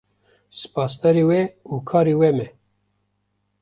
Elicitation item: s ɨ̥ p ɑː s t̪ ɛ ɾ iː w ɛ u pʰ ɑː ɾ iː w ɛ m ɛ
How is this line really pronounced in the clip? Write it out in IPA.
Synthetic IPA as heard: s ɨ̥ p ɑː s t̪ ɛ ɾ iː w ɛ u kʰ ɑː ɾ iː w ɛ m ɛ